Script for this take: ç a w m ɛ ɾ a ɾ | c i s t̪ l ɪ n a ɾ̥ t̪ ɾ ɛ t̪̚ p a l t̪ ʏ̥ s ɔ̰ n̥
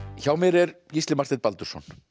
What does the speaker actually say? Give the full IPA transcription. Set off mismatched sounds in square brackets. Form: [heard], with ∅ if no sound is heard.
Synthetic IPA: ç a w m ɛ ɾ [ɛ] ɾ | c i s t̪ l ɪ [m] a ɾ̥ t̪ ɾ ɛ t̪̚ p a l t̪ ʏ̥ s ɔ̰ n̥

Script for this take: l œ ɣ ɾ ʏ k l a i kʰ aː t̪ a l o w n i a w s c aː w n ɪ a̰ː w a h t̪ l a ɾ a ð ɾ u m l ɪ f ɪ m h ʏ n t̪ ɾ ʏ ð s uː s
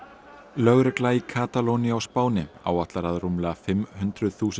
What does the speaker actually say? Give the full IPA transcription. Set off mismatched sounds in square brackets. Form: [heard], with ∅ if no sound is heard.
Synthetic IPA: l œ ɣ ɾ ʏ k l a i kʰ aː t̪ a l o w n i a w s [p] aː w n ɪ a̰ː w a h t̪ l a ɾ a ð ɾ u m l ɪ f ɪ m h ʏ n t̪ ɾ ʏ ð [θ] uː s

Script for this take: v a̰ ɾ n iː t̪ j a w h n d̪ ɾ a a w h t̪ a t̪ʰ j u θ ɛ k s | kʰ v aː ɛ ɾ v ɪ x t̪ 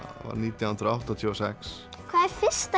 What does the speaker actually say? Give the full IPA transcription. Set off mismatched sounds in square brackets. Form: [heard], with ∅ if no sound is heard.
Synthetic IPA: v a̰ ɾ n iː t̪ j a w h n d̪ ɾ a a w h t̪ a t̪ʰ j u [s] ɛ k s | kʰ v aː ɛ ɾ [f] ɪ [s] t̪

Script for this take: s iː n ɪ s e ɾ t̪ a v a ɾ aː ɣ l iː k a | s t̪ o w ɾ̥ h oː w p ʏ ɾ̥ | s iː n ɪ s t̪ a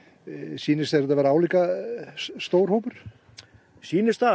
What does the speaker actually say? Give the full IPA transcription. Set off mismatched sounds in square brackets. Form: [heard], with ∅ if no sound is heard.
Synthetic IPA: s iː n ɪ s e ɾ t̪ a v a ɾ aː [w] l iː k a | s t̪ o w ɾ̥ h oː w p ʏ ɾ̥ | s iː n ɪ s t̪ a

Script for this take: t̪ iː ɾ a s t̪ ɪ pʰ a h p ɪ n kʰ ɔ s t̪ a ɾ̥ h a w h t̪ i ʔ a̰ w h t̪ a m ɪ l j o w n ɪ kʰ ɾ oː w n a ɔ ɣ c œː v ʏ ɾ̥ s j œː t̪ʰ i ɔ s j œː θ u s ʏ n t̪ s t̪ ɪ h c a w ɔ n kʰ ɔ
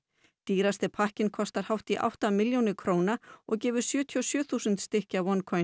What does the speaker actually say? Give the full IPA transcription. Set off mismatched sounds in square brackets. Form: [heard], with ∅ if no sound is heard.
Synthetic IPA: t̪ iː ɾ a s t̪ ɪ pʰ a h [c] ɪ n kʰ ɔ s t̪ a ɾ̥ h a w h t̪ i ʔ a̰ w h t̪ a m ɪ l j o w n ɪ kʰ ɾ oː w n a ɔ ɣ c [ɛː] v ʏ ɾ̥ s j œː t̪ʰ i ɔ s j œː θ u s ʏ n t̪ s t̪ ɪ h c a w ɔ n kʰ ɔ

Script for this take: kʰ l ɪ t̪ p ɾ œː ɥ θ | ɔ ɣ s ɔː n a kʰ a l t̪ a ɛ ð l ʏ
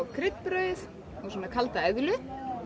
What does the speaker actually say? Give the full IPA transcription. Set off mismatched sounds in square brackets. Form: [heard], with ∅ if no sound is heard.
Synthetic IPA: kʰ [ɾ] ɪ t̪ p ɾ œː ɥ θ | ɔ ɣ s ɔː n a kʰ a l t̪ a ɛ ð l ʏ

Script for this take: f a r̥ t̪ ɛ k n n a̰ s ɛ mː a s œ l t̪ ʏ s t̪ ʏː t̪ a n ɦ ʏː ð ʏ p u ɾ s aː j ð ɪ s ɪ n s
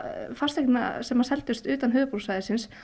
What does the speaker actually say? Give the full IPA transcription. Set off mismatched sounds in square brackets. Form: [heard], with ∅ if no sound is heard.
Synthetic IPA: f a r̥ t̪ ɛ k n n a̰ s ɛ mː a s [ɛ] l t̪ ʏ s t̪ ʏː t̪ a n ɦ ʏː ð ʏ p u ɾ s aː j ð ɪ s ɪ n s

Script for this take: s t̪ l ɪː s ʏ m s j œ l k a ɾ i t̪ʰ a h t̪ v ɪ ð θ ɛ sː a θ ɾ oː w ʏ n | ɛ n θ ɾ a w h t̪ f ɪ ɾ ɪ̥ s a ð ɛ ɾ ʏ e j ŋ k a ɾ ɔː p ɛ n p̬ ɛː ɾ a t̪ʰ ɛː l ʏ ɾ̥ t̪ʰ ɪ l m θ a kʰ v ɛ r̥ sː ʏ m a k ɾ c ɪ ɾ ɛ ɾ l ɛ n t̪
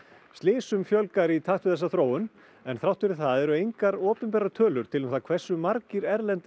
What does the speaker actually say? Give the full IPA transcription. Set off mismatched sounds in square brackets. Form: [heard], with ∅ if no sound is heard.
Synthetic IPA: s t̪ l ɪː s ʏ m [f] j œ l k a ɾ i t̪ʰ a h t̪ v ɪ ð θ ɛ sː a θ ɾ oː w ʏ n | ɛ n θ ɾ a w h t̪ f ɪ ɾ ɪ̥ [θ] a ð ɛ ɾ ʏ e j ŋ k a ɾ ɔː p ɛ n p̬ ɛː ɾ a t̪ʰ [œː] l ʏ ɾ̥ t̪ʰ ɪ l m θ a kʰ v ɛ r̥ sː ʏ m a [∅] ɾ c ɪ ɾ ɛ ɾ l ɛ n t̪

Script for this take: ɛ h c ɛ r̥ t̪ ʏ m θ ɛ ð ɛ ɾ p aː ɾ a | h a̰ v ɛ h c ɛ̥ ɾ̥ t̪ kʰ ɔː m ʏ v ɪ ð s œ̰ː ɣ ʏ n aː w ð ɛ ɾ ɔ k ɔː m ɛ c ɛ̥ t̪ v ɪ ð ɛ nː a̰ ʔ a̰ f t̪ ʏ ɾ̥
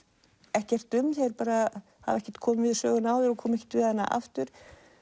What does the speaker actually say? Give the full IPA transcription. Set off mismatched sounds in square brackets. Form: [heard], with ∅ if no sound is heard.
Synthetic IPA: ɛ h c ɛ r̥ t̪ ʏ m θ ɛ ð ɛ ɾ p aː ɾ a | h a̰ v ɛ h c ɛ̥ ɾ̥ t̪ kʰ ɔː m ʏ v ɪ ð s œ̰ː ɣ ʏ n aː w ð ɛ ɾ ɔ [kʰ] ɔː m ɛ c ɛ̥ t̪ v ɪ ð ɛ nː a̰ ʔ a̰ f t̪ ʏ ɾ̥

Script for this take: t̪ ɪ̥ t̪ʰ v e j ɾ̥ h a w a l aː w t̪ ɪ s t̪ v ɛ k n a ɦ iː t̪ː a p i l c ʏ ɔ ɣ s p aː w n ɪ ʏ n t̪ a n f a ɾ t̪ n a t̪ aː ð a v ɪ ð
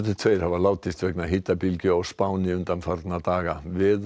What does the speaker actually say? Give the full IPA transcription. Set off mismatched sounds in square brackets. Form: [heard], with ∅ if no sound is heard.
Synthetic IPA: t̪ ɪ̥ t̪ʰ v e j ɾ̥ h a [v] a l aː w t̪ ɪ s t̪ v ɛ k n a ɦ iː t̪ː a p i l c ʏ ɔ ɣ s p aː w n ɪ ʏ n t̪ a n f a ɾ t̪ n a t̪ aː [ɣ] a v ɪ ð

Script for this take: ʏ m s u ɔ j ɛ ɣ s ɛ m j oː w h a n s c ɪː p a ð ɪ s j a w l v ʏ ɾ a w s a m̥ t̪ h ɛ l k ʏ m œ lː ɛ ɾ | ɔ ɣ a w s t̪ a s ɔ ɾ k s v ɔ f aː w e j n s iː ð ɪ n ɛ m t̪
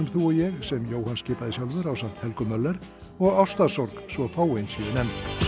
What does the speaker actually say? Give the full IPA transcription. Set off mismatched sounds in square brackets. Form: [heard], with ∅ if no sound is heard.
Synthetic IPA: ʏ m [θ] u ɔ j ɛ ɣ s ɛ m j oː w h a n s c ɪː p a ð ɪ s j a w l v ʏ ɾ a w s a m̥ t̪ h ɛ l k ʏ m œ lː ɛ ɾ | ɔ ɣ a w s t̪ a s ɔ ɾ k s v ɔ f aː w e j n s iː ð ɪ n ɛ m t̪

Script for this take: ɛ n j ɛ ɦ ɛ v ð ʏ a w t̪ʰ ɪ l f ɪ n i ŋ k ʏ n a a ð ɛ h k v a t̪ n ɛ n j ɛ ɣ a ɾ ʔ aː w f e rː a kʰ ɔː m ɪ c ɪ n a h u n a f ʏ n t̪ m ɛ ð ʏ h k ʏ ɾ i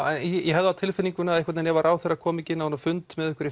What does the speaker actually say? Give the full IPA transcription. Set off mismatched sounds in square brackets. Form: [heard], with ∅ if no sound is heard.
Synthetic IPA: ɛ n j ɛ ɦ ɛ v ð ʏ a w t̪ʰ ɪ l f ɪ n i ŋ k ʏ n a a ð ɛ h k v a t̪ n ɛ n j ɛ [v] a ɾ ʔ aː w [θ] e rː a kʰ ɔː m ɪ c ɪ n a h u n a f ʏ n t̪ m ɛ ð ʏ h k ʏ ɾ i

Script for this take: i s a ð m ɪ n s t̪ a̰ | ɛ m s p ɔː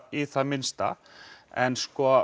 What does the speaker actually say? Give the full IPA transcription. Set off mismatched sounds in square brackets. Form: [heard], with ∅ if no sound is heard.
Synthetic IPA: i [θ] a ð m ɪ n s t̪ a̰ | ɛ [n] s [k] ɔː

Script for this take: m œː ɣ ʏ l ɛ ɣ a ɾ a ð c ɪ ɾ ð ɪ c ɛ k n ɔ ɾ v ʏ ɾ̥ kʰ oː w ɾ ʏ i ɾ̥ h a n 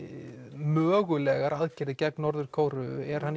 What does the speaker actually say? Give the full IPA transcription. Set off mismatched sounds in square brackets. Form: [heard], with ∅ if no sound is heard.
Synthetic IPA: m œː ɣ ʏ l ɛ ɣ a ɾ a ð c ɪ ɾ ð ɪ c ɛ k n ɔ ɾ [ð] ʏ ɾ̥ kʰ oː w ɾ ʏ [ɛ] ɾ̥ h a n

